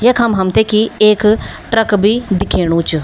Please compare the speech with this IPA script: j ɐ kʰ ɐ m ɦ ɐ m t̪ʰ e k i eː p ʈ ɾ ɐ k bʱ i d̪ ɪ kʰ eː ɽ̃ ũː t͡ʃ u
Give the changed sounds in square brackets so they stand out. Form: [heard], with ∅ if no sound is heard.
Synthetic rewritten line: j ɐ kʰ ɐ m ɦ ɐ m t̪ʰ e k i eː [k] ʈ ɾ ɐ k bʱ i d̪ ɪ kʰ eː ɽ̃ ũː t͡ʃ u